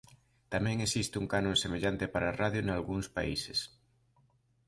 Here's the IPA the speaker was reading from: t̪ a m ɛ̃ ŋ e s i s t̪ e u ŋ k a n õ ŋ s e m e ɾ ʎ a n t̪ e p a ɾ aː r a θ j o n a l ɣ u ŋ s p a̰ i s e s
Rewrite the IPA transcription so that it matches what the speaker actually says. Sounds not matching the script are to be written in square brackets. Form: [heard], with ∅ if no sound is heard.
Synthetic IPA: t̪ a m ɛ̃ ŋ e s i s t̪ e u ŋ k a n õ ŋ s e m e [∅] ʎ a n t̪ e p a ɾ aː r a [ð] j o n a l ɣ u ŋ s p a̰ i s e s

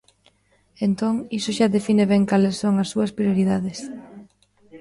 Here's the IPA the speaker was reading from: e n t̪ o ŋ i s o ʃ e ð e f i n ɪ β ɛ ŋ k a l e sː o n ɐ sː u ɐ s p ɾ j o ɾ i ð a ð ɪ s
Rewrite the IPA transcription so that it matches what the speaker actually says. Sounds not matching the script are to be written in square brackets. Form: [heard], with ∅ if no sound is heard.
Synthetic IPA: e n t̪ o ŋ i s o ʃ [a] ð e f i n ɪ β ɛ ŋ k a l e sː o [ŋ] ɐ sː u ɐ s p ɾ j o ɾ i ð a ð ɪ s

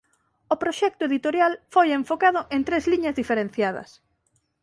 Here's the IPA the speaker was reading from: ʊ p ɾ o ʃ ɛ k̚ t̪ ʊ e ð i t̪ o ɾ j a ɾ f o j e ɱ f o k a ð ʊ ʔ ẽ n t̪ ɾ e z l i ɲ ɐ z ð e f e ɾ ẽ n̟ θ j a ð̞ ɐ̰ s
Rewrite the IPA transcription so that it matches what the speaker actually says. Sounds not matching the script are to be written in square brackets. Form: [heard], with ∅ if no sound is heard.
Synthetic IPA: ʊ p ɾ o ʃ ɛ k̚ t̪ ʊ e ð i t̪ o ɾ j a [l] f o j e ɱ f o k a ð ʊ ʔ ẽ n t̪ ɾ e z l i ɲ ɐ z ð [i] f e ɾ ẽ n̟ θ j a ð̞ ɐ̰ s

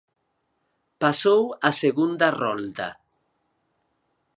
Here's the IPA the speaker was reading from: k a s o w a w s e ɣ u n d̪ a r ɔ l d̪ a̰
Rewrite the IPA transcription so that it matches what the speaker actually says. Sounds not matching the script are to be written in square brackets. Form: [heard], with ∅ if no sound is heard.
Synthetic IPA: [p] a s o w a [∅] s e ɣ u n d̪ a r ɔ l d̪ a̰

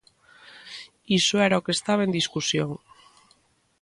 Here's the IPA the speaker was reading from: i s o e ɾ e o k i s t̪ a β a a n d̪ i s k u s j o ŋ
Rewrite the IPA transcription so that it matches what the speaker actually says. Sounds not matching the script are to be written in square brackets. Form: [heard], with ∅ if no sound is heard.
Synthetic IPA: i s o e ɾ [a] o k [e] s t̪ a β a [e] n d̪ i s k u s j o ŋ

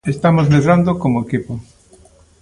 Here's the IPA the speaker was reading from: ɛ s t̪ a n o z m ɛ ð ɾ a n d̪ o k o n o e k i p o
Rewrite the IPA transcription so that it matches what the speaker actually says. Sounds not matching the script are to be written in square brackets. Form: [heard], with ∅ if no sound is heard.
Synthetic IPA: [e] s t̪ a [m] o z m [e] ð ɾ a n d̪ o k o [m] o e k i p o

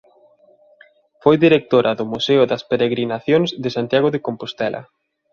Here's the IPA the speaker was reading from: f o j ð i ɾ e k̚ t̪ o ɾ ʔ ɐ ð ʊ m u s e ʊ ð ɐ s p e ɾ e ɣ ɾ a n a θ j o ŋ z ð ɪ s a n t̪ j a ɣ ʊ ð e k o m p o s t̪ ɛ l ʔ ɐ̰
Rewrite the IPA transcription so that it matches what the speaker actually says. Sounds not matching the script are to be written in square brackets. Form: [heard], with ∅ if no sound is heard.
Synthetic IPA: f o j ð i ɾ e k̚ t̪ o ɾ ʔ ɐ ð ʊ m u s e ʊ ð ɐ s p e ɾ e ɣ ɾ [i] n a θ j o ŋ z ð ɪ s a n t̪ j a ɣ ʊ ð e k o m p o s t̪ ɛ l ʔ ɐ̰

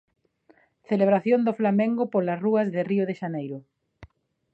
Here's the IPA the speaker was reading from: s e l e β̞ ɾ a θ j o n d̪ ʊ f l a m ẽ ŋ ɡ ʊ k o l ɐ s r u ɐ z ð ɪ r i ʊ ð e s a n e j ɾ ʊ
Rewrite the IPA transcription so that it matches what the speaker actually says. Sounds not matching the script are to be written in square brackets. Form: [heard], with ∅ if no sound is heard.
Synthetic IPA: [θ] e l e β̞ ɾ a θ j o n d̪ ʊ f l a m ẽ ŋ ɡ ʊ [p] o l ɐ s r u ɐ z ð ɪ r i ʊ ð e [ʃ] a n e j ɾ ʊ

